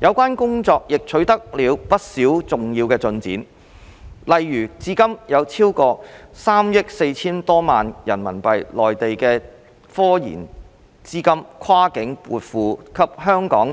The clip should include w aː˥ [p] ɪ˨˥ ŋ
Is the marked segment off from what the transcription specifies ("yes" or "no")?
yes